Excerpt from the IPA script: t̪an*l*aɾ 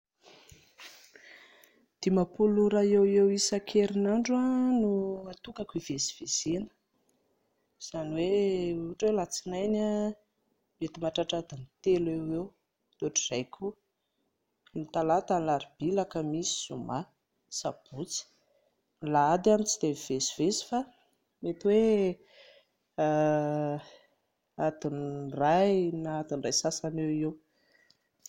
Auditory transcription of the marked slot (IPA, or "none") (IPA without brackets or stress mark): l